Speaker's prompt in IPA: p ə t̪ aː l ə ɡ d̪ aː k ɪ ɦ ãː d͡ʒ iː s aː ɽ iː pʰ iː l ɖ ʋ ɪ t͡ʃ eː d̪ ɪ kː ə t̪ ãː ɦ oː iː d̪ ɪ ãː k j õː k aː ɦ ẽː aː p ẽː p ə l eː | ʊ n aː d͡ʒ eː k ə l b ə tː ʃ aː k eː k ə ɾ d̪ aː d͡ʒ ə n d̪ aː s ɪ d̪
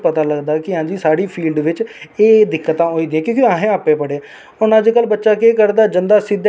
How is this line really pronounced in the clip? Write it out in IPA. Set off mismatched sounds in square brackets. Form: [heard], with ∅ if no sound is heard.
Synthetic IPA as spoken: p ə t̪ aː l ə ɡ d̪ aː k ɪ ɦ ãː d͡ʒ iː s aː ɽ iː pʰ iː l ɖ ʋ ɪ t͡ʃ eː d̪ ɪ kː ə t̪ ãː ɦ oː iː d̪ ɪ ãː k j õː k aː ɦ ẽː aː p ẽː p ə [ɽ] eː | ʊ n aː d͡ʒ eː k ə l b ə tː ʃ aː k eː k ə ɾ d̪ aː d͡ʒ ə n d̪ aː s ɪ d̪